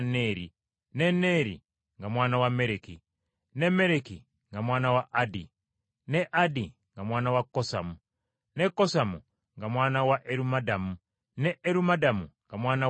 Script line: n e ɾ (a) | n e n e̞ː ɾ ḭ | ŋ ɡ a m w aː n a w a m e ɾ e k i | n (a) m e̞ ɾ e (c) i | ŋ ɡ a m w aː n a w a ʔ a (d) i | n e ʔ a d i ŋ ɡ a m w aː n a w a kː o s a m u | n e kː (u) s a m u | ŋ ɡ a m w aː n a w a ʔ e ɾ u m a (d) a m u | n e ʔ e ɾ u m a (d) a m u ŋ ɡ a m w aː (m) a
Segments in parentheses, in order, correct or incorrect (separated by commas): incorrect, incorrect, incorrect, correct, incorrect, correct, correct, incorrect